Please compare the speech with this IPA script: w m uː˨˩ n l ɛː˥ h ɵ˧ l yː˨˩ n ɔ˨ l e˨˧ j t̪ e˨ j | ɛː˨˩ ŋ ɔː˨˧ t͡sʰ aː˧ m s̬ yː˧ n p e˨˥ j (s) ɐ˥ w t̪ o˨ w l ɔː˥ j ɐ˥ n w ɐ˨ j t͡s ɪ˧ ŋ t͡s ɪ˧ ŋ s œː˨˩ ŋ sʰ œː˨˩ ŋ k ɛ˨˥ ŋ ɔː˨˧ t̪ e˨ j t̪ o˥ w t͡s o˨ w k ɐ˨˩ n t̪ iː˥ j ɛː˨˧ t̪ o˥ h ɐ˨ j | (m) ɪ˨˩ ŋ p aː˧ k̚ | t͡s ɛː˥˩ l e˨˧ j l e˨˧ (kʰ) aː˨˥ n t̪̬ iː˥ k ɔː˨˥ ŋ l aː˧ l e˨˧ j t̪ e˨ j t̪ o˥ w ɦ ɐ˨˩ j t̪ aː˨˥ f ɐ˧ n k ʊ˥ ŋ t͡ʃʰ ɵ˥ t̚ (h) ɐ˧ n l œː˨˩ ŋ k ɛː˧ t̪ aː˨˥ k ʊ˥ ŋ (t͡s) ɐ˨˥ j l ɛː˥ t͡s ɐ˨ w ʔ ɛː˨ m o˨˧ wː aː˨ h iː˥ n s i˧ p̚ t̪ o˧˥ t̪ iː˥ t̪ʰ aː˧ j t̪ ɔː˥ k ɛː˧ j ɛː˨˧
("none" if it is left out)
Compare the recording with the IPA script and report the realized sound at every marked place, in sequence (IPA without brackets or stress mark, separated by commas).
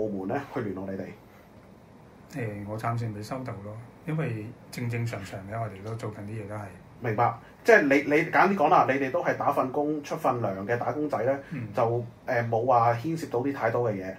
s, m, k, f, t͡s